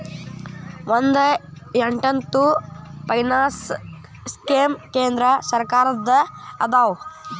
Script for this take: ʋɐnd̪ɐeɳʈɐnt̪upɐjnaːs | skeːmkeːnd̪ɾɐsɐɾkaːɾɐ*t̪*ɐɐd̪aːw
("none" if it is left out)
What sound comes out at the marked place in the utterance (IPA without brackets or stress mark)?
d̪